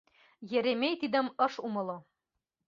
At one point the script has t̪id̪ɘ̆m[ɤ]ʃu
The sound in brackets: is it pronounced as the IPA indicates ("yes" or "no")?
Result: yes